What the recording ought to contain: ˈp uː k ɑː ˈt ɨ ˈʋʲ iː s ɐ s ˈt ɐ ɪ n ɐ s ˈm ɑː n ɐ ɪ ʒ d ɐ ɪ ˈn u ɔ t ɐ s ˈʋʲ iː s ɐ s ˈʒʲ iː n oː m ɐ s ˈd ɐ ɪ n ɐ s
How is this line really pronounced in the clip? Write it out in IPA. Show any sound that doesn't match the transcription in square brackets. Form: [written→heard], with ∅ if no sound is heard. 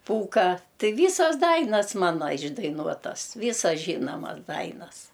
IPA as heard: ˈp uː k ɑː ˈt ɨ ˈʋʲ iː s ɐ s [ˈt→ˈd] ɐ ɪ n ɐ s ˈm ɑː n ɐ ɪ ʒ d ɐ ɪ ˈn u ɔ t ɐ s ˈʋʲ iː s ɐ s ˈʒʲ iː n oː m ɐ s ˈd ɐ ɪ n ɐ s